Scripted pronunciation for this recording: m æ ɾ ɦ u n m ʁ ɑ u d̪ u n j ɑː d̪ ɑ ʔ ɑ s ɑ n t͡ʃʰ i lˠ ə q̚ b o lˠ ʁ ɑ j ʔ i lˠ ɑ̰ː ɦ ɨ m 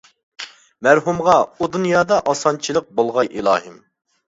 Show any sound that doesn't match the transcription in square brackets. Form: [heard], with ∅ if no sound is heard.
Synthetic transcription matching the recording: m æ ɾ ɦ u [∅] m ʁ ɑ u d̪ u n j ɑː d̪ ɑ ʔ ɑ s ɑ n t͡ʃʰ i lˠ ə q̚ b o lˠ ʁ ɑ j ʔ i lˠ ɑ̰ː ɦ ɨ m